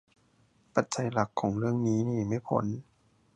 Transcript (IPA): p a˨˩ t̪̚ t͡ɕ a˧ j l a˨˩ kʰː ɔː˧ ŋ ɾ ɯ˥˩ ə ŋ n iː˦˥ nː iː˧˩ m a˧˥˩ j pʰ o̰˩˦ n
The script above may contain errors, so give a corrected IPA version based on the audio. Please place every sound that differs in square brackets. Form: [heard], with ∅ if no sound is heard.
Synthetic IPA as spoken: p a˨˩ t̪̚ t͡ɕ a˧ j l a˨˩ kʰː [ɔː˩˦] ŋ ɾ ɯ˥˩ ə ŋ n iː˦˥ [n] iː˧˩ m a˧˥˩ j pʰ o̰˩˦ n